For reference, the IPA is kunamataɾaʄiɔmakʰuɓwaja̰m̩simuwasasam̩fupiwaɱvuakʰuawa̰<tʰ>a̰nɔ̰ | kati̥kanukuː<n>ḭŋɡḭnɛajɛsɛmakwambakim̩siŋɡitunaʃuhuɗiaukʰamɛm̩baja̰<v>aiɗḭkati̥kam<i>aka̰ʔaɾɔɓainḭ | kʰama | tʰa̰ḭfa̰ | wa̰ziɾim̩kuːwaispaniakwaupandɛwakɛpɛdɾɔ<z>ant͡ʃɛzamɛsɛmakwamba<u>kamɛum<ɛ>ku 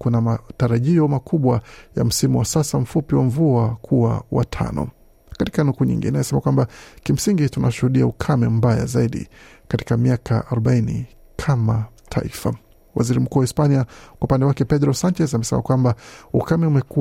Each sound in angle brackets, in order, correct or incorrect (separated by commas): correct, incorrect, incorrect, correct, incorrect, correct, correct